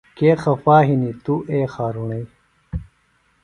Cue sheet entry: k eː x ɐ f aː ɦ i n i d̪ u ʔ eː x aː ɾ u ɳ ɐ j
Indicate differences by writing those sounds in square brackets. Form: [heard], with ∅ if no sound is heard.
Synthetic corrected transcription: k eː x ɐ f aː ɦ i n i [t̪] u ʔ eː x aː ɾ u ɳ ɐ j

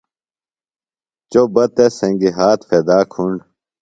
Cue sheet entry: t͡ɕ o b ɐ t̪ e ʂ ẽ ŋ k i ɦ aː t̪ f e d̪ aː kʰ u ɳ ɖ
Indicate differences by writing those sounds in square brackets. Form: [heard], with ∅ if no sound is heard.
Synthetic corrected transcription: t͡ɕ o b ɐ t̪ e [s] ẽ ŋ [ɡ] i ɦ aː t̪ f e d̪ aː kʰ u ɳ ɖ

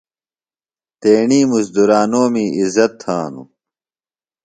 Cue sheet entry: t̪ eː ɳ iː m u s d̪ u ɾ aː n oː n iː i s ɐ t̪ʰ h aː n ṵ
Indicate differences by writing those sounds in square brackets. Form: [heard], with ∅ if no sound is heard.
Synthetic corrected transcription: t̪ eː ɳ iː m u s d̪ u ɾ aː n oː [m] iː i [z] ɐ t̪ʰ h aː n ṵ

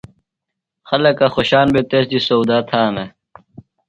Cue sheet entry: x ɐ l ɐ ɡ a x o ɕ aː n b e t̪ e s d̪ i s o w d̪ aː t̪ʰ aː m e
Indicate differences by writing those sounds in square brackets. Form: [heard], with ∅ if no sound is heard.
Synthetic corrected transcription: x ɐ l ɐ [k] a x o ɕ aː n b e t̪ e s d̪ i s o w d̪ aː t̪ʰ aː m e

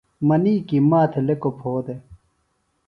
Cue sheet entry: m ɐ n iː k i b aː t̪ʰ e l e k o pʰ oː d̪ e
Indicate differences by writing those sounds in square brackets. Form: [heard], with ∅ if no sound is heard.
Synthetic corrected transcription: m ɐ n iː k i [m] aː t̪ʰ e l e k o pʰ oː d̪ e

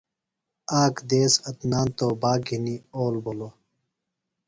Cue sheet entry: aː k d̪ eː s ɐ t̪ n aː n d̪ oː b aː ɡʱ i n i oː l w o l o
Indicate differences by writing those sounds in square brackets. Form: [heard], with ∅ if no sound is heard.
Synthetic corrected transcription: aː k d̪ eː s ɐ t̪ n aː n [t̪] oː b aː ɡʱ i n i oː l [b] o l o

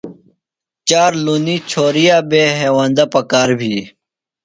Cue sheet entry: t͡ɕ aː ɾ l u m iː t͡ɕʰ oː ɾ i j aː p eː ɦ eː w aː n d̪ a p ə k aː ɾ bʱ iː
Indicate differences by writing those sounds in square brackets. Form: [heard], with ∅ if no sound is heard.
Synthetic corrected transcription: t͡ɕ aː ɾ l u [n] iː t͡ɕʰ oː ɾ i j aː [b] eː ɦ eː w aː n d̪ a p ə k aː ɾ bʱ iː

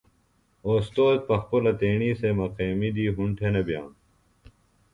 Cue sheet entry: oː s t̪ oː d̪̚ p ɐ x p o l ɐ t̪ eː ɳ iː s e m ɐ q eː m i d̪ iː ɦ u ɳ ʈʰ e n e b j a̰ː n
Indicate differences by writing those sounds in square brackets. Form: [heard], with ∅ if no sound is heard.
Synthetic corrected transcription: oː s t̪ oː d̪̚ p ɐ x p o l ɐ t̪ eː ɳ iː s e m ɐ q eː m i d̪ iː ɦ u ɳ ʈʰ e n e b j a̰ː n

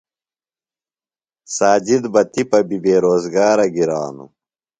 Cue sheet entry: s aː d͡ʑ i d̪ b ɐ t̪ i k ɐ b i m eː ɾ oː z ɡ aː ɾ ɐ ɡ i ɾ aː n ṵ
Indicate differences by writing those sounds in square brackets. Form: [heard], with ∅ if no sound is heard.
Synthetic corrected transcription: s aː d͡ʑ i d̪ b ɐ t̪ i [p] ɐ b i [b] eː ɾ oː z ɡ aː ɾ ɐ ɡ i ɾ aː n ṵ

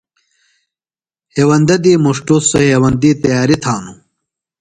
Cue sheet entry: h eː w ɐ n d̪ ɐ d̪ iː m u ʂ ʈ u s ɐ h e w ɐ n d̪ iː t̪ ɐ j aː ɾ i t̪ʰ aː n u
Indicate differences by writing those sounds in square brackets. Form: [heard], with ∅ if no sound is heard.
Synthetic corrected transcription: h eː w ɐ n d̪ ɐ d̪ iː m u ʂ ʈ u s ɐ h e w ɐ n d̪ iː t̪ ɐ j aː ɾ i t̪ʰ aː n u

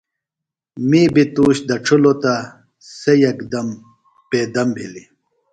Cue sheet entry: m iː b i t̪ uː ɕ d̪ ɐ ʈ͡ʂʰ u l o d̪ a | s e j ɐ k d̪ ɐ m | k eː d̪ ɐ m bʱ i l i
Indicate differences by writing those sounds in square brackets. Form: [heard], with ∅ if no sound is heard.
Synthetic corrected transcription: m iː b i t̪ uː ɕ d̪ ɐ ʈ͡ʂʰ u l o [t̪] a | s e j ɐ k d̪ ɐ m | [p] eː d̪ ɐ m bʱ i l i

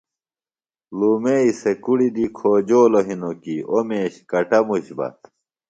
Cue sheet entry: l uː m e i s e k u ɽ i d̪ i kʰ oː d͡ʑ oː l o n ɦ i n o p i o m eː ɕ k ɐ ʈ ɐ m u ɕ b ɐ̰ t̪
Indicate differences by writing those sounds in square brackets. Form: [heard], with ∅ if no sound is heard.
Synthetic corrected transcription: l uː m e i s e k u ɽ i d̪ i kʰ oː d͡ʑ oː l o [∅] ɦ i n o [k] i o m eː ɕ k ɐ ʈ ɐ m u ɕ b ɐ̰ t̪

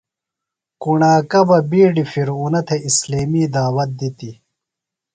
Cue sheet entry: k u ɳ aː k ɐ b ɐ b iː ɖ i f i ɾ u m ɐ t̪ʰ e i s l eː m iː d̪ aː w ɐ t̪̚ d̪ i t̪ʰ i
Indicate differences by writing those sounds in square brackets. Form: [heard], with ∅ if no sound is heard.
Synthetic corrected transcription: k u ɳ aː k ɐ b ɐ b iː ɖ i f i ɾ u [n] ɐ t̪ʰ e i s l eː m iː d̪ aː w ɐ t̪̚ d̪ i [t̪] i

